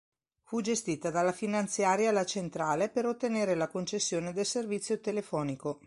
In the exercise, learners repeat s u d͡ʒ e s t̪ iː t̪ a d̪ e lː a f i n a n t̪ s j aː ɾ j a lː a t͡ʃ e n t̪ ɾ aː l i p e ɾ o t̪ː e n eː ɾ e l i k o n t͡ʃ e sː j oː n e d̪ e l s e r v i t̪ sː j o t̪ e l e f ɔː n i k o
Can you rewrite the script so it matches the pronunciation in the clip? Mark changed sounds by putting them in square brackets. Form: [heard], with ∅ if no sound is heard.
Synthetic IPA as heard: [f] u d͡ʒ e s t̪ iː t̪ a d̪ [a] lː a f i n a n t̪ s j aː ɾ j a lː a t͡ʃ e n t̪ ɾ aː l [e] p e ɾ o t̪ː e n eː ɾ e l [a] k o n t͡ʃ e sː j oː n e d̪ e l s e r v i t̪ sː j o t̪ e l e f ɔː n i k o